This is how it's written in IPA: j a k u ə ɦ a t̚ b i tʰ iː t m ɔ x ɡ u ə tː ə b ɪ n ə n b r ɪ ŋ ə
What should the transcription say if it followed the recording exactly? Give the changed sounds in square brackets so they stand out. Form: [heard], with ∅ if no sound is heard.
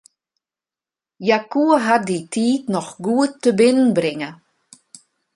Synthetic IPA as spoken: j a k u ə ɦ a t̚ [d] i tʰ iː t [n] ɔ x ɡ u ə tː ə b ɪ n ə n b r ɪ ŋ ə